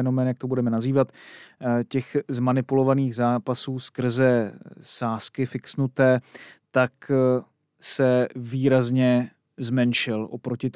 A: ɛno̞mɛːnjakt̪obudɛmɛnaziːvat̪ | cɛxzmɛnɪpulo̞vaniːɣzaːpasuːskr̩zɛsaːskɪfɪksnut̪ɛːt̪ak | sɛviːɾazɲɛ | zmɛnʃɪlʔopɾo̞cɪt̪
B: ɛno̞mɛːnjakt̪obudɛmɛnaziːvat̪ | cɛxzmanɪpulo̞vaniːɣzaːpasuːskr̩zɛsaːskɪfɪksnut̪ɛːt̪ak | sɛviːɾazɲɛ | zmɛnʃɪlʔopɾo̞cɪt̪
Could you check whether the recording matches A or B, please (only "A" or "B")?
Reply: B